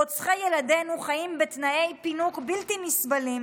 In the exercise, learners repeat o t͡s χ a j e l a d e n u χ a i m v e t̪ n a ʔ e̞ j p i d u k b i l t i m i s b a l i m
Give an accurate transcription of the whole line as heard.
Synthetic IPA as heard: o t͡s χ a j e l a d e n u χ a i m b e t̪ n a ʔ e̞ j p i n u k b i l t i m i s b a l i m